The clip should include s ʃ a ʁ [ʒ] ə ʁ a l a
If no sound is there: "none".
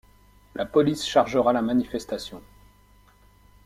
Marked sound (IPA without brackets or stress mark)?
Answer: ʒ